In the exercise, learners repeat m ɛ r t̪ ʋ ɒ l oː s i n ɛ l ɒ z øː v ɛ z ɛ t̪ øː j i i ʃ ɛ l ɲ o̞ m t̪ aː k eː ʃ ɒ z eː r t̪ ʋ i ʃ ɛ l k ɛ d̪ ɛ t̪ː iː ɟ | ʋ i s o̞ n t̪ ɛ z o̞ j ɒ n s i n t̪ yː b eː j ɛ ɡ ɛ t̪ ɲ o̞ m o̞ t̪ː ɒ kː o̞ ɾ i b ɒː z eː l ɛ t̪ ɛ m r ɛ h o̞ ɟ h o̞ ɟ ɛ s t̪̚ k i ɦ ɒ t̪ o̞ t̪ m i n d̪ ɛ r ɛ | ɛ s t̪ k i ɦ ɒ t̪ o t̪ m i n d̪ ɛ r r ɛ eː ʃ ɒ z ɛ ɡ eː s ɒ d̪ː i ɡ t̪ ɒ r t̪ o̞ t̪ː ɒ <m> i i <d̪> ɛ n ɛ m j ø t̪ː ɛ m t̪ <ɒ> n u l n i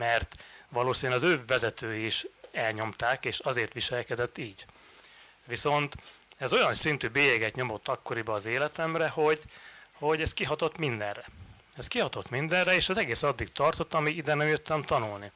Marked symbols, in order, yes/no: yes, yes, yes

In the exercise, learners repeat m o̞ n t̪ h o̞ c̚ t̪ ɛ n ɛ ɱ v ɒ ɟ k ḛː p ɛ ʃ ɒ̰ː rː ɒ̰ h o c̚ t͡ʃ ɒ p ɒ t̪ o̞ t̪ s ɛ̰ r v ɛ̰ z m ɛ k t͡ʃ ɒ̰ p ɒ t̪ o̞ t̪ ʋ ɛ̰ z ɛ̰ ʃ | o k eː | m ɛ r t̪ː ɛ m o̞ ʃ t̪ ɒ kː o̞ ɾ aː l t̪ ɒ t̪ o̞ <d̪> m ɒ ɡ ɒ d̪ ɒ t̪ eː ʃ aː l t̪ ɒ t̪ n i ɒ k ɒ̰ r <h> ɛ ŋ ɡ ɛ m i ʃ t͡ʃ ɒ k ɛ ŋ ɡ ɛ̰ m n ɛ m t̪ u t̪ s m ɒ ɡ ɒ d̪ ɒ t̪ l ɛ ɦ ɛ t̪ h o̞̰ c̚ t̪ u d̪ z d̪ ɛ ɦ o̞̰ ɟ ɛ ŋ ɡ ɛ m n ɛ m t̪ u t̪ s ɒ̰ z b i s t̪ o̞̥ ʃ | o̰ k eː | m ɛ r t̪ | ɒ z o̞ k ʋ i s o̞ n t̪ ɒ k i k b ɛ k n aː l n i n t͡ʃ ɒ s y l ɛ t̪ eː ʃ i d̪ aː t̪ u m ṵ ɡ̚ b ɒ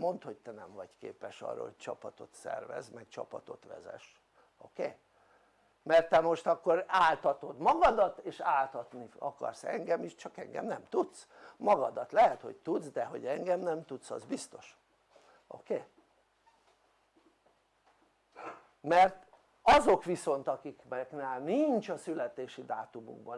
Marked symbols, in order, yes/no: yes, no

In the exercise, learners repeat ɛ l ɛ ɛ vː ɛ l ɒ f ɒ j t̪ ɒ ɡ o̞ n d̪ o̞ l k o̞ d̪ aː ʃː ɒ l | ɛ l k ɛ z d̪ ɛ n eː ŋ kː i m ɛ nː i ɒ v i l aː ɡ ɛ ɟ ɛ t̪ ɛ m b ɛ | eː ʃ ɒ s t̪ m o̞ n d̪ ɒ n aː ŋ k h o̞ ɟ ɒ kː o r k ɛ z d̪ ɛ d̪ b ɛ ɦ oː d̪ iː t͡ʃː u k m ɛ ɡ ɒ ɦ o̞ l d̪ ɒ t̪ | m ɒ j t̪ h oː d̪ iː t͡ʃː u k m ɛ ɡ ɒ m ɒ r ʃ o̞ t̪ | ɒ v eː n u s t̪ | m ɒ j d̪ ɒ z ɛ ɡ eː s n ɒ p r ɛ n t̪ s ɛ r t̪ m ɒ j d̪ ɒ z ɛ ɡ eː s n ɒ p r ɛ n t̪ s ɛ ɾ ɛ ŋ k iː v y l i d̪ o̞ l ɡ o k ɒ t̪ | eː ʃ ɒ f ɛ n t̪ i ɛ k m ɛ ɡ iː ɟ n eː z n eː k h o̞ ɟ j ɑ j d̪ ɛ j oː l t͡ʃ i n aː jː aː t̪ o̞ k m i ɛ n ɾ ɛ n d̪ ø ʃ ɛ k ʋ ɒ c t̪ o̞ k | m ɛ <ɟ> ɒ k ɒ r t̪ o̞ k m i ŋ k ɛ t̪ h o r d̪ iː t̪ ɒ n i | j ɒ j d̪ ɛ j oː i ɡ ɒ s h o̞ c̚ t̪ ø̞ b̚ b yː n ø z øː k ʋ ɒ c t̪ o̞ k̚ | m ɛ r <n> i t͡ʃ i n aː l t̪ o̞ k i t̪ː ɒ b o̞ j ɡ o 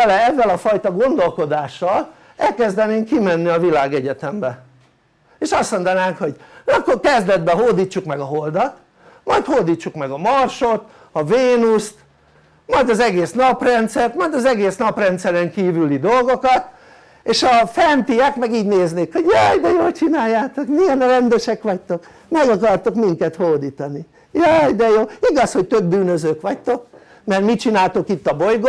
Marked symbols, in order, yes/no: no, no

